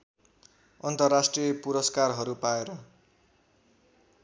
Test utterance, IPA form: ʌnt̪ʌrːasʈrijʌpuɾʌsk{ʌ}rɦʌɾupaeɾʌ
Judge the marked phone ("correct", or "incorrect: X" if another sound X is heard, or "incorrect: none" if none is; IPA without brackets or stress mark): incorrect: a